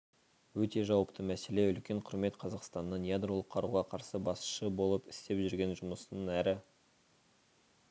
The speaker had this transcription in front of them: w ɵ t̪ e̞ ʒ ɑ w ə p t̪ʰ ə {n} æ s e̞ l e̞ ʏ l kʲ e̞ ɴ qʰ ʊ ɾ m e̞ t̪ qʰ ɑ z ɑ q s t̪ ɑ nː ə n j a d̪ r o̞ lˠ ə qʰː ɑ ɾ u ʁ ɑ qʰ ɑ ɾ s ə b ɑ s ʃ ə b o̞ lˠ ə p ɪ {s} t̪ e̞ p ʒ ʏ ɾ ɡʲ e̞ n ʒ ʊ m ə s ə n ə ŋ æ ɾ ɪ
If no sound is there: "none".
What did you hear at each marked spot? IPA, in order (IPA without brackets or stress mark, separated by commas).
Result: m, s